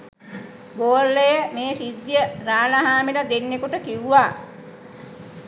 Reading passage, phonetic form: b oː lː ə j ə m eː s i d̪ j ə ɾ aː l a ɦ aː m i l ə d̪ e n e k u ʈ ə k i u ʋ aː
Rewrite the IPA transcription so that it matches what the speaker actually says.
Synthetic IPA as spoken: b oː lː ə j ə m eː s i d̪ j ə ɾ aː l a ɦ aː m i l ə d̪ e nː e k u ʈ ə k i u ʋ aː

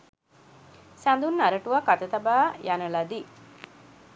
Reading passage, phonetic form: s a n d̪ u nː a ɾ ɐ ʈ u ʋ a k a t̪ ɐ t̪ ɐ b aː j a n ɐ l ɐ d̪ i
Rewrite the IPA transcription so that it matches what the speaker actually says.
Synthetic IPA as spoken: s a n d̪ u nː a ɾ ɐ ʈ u ʋ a k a t̪ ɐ t̪ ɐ b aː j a n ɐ l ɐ d̪ i

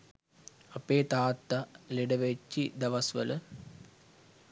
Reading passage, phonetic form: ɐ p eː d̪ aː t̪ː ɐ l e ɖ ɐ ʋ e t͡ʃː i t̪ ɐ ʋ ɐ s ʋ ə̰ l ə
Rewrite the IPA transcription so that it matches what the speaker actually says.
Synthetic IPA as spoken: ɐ p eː t̪ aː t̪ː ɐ l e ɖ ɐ ʋ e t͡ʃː i d̪ ɐ ʋ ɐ s ʋ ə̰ l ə

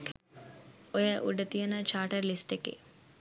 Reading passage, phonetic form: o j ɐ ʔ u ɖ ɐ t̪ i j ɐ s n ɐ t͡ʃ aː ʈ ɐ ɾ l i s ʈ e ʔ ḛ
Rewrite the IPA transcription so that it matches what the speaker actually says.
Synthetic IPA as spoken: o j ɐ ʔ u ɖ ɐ t̪ i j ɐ n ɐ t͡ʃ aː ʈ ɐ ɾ l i s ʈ e k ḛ

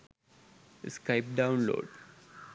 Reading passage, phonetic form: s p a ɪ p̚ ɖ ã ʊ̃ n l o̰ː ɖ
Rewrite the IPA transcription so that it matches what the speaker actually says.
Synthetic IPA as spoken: s k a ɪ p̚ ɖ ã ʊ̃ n l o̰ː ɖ

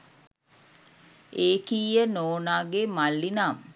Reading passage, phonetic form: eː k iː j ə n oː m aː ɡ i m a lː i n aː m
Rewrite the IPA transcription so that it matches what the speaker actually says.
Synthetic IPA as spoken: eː k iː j ə n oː n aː ɡ e m a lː i n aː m

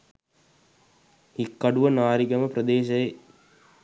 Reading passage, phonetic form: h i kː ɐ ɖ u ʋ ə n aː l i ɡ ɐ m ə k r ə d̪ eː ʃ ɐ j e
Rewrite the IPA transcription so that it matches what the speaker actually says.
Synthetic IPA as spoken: h i kː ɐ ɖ u ʋ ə n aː ɾ i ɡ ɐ m ə p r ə d̪ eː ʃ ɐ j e

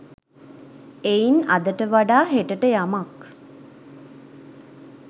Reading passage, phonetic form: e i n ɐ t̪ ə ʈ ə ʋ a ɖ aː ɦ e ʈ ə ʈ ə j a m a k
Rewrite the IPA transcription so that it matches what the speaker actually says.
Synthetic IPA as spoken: e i n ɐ d̪ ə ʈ ə ʋ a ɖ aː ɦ e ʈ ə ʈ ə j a m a k

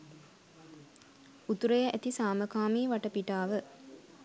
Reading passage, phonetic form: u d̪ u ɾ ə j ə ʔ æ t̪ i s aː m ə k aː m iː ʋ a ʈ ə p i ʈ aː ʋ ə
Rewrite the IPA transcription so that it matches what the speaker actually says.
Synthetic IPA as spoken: u t̪ u ɾ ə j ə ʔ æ t̪ i s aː m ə k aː m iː ʋ a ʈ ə p i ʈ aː ʋ ə

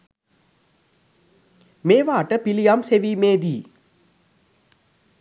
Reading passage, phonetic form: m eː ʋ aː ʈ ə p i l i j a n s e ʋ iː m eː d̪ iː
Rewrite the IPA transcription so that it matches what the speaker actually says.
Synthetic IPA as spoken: m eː ʋ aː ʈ ə p i l i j a m s e ʋ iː m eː d̪ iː

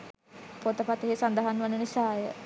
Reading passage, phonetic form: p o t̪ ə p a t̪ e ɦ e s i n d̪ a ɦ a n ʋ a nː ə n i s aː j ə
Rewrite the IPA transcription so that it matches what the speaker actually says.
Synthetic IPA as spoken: p o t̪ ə p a t̪ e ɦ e s a n d̪ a ɦ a n ʋ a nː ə n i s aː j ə

